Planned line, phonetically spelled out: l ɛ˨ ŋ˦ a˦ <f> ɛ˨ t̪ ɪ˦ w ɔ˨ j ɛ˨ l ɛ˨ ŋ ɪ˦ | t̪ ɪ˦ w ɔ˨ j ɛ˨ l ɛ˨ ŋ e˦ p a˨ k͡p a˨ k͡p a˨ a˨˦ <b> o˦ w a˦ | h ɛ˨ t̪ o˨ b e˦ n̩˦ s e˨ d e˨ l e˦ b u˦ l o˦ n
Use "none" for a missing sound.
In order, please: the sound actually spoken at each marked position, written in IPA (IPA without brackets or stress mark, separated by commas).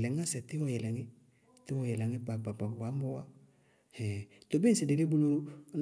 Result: s, m